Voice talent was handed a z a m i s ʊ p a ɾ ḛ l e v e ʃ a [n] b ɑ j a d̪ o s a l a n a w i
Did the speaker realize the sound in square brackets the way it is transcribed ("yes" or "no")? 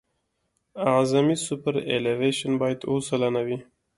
yes